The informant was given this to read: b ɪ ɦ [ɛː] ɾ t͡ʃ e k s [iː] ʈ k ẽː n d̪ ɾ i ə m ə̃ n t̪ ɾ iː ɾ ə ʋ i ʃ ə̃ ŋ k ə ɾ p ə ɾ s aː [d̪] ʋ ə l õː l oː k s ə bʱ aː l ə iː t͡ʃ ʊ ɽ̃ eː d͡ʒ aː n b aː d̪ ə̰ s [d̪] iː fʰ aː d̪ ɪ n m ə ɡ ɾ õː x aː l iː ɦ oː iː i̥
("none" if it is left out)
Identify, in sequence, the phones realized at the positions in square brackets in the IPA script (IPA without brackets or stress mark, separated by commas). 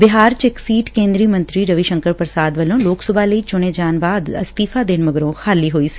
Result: aː, iː, d̪, t̪